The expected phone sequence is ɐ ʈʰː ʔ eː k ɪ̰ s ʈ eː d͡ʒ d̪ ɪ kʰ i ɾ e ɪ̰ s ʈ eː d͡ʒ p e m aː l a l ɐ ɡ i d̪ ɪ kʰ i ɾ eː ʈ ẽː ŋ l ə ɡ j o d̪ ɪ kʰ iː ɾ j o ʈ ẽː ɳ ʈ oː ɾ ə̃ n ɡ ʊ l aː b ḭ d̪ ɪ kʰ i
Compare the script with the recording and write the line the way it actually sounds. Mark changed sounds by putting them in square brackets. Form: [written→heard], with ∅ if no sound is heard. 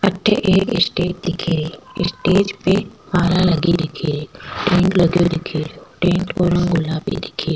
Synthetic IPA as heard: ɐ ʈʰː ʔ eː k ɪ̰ s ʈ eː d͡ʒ d̪ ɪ kʰ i ɾ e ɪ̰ s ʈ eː d͡ʒ p e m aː l a l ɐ ɡ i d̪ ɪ kʰ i ɾ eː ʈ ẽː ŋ l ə ɡ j o d̪ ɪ kʰ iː ɾ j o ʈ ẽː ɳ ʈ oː ɾ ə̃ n ɡ ʊ l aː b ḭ d̪ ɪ kʰ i